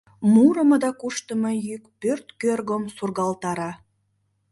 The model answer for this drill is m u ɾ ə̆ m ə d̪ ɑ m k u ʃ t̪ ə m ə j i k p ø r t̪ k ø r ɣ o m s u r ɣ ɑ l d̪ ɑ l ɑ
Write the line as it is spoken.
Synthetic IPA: m u ɾ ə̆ m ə d̪ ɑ k u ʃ t̪ ə m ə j y k p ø r t̪ k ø r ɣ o m s u r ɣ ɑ l t̪ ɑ ɾ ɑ